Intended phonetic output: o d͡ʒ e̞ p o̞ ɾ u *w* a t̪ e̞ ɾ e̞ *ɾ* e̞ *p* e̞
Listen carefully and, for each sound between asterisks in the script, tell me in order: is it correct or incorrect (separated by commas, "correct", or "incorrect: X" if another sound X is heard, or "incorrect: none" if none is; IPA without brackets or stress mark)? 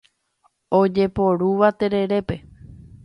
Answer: incorrect: ʋ, correct, correct